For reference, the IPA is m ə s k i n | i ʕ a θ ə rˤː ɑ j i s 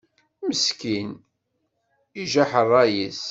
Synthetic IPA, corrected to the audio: m ə s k i n | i ʒ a ħ ə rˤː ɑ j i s